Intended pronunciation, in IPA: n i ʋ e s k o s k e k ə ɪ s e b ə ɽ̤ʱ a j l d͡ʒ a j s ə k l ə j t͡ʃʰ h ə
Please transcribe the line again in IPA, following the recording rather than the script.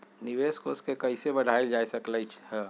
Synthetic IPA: n i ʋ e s k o s k e k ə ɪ s e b ə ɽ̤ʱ a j l d͡ʒ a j s ə k l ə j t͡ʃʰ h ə